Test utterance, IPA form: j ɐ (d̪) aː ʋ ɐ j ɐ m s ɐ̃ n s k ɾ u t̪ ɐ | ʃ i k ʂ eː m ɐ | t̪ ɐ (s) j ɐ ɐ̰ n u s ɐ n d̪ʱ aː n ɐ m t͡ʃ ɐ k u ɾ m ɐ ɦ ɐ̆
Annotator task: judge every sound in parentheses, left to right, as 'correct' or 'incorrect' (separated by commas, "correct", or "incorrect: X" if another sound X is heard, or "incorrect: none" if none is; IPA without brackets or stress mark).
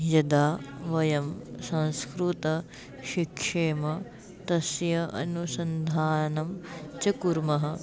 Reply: correct, correct